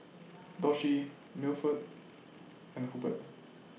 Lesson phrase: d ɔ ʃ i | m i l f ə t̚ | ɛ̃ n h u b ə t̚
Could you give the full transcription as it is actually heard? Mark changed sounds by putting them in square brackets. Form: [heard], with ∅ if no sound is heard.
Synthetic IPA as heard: d ɔ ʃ i | m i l f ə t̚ | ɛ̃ n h u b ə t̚